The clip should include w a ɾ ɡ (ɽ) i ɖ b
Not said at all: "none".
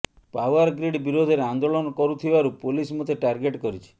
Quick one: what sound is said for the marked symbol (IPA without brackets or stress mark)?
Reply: ɾ